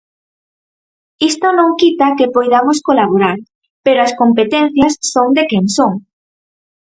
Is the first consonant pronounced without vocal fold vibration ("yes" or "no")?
yes